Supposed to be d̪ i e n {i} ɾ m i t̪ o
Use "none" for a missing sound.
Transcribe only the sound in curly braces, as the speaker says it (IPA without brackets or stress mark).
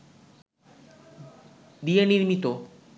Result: i